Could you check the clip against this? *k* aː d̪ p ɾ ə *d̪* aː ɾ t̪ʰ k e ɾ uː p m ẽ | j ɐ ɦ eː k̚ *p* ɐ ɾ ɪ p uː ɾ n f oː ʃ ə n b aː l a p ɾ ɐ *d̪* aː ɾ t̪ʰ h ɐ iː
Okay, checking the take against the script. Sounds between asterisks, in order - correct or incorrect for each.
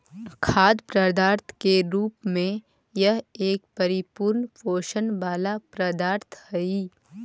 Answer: incorrect: kʰ, correct, correct, correct

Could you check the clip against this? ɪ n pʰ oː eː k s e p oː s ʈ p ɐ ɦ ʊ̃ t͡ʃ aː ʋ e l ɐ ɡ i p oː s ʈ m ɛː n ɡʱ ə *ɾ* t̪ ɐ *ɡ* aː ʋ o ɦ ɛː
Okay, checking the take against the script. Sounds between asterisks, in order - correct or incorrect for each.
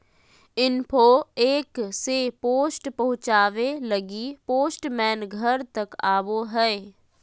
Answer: correct, incorrect: k

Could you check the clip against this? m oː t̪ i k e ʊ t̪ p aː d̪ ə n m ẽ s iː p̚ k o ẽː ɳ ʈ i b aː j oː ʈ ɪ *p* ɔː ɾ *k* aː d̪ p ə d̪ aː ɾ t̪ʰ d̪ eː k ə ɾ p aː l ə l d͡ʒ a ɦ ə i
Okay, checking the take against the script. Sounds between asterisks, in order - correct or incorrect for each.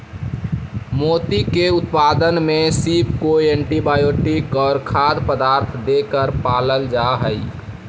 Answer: incorrect: k, incorrect: kʰ

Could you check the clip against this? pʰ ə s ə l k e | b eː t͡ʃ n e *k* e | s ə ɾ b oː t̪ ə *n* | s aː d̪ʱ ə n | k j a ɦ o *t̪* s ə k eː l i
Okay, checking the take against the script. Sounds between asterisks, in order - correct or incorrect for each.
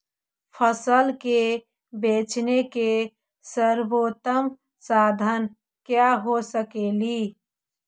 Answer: correct, incorrect: m, incorrect: none

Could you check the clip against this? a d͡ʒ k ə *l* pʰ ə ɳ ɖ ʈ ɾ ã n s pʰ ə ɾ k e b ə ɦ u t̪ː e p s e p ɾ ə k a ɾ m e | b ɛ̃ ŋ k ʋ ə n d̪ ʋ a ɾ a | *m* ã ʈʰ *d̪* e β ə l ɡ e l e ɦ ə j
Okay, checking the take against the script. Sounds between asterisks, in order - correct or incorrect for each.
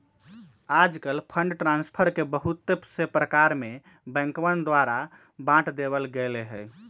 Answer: correct, incorrect: b, correct

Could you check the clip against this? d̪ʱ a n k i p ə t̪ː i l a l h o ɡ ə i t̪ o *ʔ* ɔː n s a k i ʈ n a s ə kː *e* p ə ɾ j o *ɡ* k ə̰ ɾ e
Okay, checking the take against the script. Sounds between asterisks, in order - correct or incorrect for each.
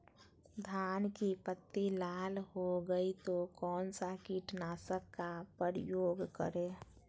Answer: incorrect: k, incorrect: a, correct

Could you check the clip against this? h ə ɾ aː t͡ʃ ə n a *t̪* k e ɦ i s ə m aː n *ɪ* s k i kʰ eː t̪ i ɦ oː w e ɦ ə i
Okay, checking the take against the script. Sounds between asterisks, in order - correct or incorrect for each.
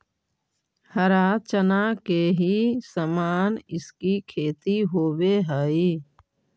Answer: incorrect: none, correct

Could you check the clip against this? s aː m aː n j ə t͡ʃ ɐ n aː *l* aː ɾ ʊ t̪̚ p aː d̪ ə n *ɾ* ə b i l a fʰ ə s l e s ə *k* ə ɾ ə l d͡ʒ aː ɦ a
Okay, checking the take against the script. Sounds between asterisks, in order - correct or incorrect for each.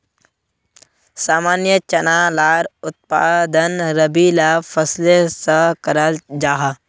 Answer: correct, correct, correct

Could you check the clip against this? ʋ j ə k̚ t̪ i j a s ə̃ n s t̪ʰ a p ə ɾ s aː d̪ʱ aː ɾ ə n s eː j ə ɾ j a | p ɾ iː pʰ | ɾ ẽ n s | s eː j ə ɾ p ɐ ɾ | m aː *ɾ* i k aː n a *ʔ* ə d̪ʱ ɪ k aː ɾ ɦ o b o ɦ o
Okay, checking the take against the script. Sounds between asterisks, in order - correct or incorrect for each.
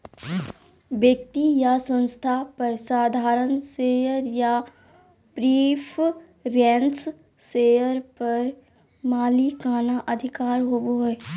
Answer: incorrect: l, correct

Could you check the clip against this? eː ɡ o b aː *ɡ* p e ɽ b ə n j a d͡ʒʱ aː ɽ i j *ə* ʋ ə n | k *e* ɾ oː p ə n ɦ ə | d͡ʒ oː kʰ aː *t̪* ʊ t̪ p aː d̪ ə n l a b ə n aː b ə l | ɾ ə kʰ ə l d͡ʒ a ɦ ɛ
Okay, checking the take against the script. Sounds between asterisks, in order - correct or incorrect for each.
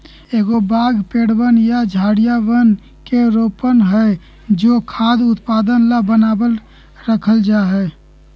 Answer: correct, incorrect: a, correct, incorrect: d̪

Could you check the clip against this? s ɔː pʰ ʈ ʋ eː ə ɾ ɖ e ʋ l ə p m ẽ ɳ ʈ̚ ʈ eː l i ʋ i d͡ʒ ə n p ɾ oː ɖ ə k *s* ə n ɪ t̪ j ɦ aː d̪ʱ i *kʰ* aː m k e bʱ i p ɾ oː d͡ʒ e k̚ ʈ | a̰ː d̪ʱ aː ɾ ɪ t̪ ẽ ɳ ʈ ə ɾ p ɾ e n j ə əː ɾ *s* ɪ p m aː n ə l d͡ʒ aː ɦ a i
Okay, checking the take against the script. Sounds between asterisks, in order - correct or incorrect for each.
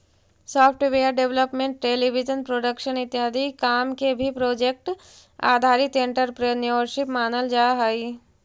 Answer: incorrect: ʃ, incorrect: k, incorrect: ʃ

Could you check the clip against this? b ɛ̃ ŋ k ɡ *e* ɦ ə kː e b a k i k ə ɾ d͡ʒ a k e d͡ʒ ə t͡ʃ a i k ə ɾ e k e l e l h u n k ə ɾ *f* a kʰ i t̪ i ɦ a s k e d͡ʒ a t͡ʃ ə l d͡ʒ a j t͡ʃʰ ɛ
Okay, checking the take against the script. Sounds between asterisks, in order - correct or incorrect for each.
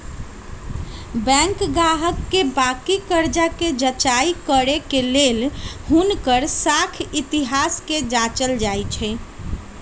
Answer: incorrect: a, incorrect: s

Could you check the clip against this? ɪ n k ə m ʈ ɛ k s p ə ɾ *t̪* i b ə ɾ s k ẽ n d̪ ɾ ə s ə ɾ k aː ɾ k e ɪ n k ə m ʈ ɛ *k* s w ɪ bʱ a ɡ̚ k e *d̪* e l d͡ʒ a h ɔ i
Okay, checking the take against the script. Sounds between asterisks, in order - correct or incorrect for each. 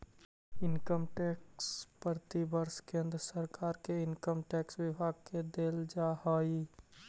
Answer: correct, correct, correct

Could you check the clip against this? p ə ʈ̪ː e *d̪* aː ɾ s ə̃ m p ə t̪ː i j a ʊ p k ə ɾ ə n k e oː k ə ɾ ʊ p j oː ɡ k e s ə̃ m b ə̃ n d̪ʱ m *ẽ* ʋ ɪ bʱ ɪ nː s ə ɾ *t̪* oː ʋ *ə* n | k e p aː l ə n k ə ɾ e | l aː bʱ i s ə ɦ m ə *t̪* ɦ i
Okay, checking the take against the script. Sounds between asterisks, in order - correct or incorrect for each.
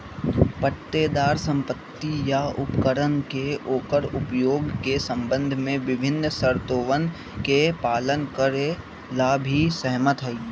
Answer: correct, correct, correct, correct, correct

